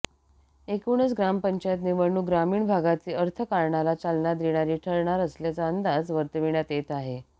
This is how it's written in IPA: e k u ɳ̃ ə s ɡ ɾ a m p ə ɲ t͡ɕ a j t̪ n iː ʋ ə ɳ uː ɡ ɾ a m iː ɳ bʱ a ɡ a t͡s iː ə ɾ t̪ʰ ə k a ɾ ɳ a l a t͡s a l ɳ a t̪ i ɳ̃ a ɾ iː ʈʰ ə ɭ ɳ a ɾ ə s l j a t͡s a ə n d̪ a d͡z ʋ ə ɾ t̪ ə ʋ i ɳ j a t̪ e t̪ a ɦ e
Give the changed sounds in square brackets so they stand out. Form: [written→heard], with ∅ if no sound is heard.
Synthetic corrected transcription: e k u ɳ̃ ə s ɡ ɾ a m p ə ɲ t͡ɕ a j t̪ n [iː→i] ʋ ə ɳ uː ɡ ɾ a m iː ɳ bʱ a ɡ a t͡s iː ə ɾ t̪ʰ ə k a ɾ ɳ a l a t͡s a l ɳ a [t̪→d̪] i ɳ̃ a ɾ iː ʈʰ ə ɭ ɳ a ɾ ə s l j a t͡s a ə n d̪ a d͡z ʋ ə ɾ t̪ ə ʋ i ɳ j a t̪ e t̪ a ɦ e